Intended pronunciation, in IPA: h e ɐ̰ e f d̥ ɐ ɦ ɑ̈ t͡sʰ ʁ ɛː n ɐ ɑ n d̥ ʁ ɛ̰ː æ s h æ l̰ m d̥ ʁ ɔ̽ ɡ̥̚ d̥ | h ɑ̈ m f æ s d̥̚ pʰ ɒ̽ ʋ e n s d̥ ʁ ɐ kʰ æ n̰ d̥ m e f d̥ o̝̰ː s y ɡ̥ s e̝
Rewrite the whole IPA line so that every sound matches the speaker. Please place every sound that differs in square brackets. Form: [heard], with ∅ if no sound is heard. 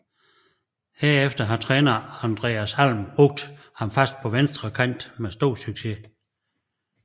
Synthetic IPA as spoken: h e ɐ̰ e f d̥ ɐ ɦ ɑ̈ t͡sʰ ʁ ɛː n ɐ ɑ n d̥ ʁ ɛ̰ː æ s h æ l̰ m [b̥] ʁ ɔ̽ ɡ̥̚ d̥ | h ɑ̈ m f æ s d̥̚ pʰ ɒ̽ ʋ e n s d̥ ʁ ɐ kʰ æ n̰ d̥ m e [s] d̥ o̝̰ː s y ɡ̥ s e̝